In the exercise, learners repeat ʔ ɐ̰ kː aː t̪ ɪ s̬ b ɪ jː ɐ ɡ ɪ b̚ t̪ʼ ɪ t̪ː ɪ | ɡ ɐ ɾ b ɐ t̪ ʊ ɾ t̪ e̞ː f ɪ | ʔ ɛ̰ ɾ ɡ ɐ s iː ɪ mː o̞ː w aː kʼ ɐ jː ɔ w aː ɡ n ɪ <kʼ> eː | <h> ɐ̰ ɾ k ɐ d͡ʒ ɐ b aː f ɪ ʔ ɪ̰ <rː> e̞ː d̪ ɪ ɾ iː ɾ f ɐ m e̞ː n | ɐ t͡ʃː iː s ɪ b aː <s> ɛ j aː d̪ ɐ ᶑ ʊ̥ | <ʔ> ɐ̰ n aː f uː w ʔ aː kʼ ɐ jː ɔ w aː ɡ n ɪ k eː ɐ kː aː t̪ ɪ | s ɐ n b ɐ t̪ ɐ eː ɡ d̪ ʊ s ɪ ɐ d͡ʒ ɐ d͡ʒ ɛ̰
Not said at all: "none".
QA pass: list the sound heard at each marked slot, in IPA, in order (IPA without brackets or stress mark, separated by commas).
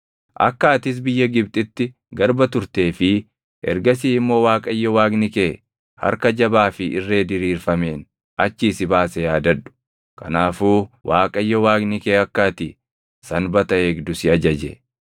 k, h, rː, s, k